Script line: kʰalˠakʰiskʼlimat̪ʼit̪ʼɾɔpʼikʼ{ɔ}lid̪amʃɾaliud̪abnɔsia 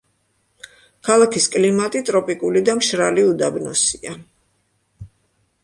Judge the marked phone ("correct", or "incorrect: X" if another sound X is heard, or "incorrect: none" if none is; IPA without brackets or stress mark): incorrect: u